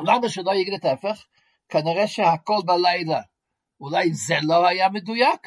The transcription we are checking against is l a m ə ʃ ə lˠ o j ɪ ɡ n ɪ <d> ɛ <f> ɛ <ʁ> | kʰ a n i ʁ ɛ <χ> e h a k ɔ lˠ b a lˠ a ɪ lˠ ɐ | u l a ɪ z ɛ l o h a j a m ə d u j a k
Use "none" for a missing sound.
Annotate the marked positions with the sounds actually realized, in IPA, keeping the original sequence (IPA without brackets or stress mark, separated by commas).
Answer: t, f, χ, ʃ